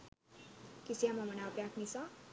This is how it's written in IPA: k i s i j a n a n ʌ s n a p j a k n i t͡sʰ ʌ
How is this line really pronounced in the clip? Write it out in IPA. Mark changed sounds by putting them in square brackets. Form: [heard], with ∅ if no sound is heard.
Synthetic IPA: k i s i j a [m] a [m] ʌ [∅] n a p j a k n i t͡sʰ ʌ